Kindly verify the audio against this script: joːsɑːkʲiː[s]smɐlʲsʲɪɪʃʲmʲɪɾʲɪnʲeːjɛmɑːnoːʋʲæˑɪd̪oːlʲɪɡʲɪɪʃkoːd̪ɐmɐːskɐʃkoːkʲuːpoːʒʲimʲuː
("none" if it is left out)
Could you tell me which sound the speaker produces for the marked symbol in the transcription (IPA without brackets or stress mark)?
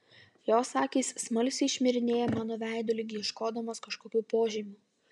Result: s